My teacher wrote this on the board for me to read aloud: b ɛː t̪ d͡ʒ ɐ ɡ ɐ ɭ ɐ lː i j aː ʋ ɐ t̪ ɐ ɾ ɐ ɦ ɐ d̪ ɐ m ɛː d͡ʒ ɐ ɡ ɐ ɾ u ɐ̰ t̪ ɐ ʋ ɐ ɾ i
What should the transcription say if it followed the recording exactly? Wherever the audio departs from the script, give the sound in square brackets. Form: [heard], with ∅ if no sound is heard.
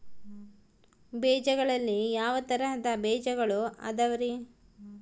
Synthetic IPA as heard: b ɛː [∅] d͡ʒ ɐ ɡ ɐ ɭ ɐ lː i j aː ʋ ɐ t̪ ɐ ɾ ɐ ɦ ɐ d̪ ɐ [b] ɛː d͡ʒ ɐ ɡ ɐ [ɭ] u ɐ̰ [d̪] ɐ ʋ ɐ ɾ i